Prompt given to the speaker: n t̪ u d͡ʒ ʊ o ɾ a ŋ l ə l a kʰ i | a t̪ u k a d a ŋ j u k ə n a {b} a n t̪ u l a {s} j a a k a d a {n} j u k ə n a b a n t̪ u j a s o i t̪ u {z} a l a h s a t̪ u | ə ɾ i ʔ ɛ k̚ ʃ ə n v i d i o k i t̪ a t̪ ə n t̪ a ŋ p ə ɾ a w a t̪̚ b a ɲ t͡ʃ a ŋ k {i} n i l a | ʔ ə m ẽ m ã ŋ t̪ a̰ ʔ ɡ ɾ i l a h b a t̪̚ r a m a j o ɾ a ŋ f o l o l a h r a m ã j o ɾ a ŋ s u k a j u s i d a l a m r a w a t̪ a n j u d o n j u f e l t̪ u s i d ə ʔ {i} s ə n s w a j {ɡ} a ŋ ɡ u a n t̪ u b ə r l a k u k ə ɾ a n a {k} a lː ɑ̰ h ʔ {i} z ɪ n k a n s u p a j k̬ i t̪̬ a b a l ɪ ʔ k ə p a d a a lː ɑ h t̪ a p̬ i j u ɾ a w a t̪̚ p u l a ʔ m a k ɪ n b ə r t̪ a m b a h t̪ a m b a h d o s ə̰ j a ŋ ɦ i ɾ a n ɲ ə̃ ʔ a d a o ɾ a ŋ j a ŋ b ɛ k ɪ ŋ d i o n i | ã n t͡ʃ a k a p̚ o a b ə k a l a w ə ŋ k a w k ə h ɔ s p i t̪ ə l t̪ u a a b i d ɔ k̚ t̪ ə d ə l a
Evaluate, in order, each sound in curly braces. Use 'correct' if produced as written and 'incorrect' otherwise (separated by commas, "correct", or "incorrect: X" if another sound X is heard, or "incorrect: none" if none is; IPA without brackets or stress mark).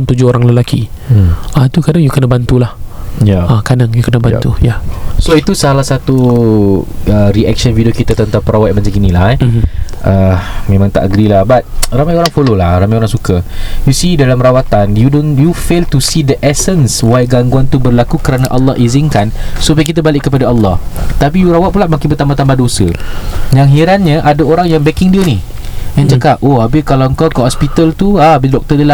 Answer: correct, incorrect: h, incorrect: ŋ, incorrect: s, correct, incorrect: ɛ, correct, incorrect: ʔ, correct